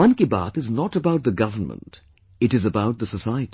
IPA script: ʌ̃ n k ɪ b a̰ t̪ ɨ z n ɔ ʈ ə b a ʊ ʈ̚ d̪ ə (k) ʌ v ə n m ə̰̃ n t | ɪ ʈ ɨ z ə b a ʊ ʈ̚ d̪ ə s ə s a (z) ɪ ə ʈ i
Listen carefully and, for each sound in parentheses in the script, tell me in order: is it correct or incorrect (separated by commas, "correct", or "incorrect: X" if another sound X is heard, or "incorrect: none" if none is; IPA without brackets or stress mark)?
incorrect: ɡ, incorrect: none